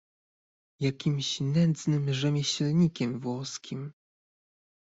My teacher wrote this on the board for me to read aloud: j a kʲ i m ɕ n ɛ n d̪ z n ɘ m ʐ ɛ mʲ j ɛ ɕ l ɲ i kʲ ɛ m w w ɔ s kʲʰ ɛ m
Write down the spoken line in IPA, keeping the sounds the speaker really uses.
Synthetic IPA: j a kʲ i m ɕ n ɛ n d̪ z n ɘ m ʐ ɛ mʲ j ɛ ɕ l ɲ i kʲ ɛ m v w ɔ s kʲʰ i m